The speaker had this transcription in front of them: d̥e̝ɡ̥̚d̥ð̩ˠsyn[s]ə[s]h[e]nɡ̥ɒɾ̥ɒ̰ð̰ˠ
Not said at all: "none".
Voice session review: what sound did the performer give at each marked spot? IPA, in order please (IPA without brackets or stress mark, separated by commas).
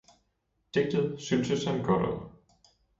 s, s, æ